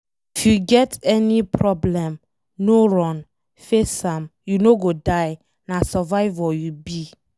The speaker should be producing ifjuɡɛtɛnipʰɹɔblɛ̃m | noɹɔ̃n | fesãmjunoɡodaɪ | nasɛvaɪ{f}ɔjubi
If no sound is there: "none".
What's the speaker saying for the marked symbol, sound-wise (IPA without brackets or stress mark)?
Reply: v